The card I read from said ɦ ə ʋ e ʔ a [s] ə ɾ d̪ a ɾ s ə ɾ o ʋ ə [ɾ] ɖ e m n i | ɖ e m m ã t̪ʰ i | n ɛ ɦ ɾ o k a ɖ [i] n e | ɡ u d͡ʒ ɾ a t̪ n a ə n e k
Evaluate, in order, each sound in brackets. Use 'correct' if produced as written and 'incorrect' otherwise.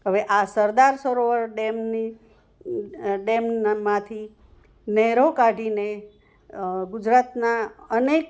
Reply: correct, correct, correct

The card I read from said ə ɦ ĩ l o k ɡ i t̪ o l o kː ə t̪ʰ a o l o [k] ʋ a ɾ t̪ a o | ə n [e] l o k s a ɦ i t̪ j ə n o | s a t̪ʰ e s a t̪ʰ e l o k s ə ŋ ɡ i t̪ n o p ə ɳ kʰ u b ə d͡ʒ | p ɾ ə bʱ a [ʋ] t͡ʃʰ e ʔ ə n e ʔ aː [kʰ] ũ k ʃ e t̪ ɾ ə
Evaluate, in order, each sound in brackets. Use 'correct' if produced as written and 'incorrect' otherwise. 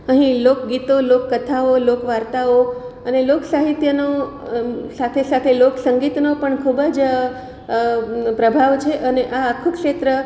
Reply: correct, correct, correct, correct

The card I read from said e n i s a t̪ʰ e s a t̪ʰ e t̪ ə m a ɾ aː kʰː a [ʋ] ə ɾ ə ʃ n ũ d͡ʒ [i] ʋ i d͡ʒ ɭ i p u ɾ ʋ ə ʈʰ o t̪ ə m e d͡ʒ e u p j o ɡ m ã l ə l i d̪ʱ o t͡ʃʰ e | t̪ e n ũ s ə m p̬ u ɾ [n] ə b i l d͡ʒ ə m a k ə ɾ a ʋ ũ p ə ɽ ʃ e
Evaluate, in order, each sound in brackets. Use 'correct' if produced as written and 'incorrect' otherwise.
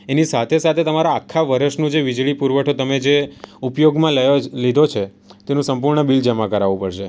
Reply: correct, incorrect: e, incorrect: ɳ

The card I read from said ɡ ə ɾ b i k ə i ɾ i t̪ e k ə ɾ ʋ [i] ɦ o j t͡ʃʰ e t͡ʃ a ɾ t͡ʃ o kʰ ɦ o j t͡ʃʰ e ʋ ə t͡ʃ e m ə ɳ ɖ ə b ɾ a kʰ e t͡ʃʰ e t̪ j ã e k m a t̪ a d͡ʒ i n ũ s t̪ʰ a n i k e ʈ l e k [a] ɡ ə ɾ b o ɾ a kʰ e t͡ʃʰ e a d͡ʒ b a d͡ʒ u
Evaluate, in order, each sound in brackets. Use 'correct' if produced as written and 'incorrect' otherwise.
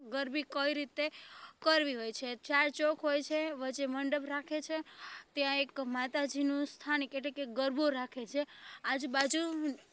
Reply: correct, incorrect: e

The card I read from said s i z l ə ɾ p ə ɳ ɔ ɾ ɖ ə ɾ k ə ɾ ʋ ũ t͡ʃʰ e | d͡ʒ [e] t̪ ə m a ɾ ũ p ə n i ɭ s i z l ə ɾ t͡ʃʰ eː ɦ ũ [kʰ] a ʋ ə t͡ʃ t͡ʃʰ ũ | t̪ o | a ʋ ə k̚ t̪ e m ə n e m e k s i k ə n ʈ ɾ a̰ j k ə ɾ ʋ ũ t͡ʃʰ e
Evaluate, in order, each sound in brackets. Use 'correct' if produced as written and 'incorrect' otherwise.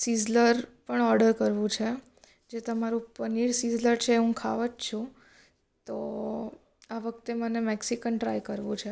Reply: correct, correct

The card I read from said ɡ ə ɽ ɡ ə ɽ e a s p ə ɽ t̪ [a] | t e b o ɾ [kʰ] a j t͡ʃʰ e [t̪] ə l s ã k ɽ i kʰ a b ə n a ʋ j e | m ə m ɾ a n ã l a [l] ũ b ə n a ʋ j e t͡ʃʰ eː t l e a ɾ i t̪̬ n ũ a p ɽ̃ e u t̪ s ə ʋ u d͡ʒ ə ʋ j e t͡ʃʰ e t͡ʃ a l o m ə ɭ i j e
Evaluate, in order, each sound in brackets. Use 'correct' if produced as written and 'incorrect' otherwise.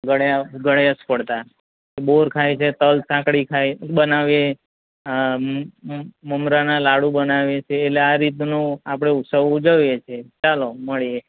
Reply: correct, correct, correct, incorrect: ɽ

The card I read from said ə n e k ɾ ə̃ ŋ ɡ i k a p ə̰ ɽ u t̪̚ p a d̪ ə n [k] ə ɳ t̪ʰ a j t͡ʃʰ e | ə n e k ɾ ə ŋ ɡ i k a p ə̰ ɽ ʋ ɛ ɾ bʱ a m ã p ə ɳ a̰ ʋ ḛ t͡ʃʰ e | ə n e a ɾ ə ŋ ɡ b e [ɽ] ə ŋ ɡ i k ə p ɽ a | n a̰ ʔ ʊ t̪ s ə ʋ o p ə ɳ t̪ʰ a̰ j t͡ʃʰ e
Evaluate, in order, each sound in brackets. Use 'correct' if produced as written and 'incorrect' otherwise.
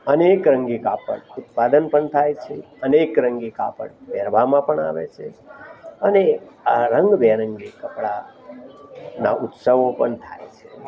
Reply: incorrect: p, incorrect: ɾ

